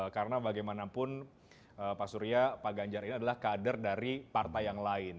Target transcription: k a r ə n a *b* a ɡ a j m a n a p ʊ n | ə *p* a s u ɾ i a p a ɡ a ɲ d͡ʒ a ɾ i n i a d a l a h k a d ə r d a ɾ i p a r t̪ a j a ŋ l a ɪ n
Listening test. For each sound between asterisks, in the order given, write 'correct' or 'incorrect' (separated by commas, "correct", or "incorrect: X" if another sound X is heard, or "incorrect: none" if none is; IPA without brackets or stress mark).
correct, correct